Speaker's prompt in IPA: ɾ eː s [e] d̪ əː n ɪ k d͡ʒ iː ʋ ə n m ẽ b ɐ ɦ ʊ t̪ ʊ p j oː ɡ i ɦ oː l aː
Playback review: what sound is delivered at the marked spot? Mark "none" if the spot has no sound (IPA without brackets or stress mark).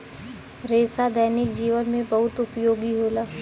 a